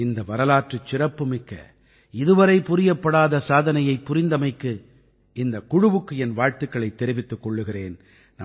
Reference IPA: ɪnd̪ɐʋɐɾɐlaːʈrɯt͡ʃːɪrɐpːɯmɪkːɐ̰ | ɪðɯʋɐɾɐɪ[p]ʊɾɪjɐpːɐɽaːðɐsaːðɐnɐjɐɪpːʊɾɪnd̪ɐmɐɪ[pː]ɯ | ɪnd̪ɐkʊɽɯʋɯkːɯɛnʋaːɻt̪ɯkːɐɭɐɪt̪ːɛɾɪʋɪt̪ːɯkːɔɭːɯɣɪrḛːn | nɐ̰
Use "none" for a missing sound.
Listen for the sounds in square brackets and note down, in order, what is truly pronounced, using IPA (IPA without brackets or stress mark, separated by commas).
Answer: p, kː